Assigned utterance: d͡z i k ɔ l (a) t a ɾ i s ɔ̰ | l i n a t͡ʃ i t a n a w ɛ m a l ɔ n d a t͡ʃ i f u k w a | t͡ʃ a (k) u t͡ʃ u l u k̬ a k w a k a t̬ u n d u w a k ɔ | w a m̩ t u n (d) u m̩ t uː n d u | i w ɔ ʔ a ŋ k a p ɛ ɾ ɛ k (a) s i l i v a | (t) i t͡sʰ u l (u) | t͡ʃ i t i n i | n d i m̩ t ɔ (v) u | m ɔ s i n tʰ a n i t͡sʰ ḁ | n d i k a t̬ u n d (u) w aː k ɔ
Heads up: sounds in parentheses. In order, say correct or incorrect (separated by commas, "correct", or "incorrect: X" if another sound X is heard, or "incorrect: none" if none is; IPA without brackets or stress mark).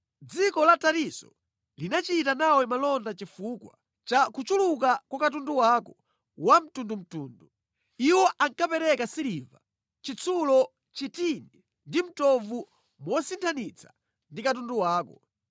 correct, correct, correct, correct, incorrect: t͡ʃ, incorrect: ɔ, correct, correct